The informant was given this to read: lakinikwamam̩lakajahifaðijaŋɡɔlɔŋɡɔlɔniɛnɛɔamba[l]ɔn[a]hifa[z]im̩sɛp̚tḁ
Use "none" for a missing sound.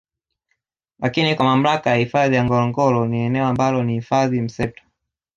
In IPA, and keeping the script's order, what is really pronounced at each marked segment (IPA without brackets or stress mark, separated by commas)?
l, i, ð